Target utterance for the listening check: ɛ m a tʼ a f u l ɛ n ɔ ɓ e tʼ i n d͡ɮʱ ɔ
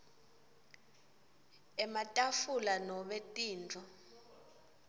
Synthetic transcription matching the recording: ɛ m a tʼ a f u l a n ɔ ɓ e tʼ iː n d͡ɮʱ ɔ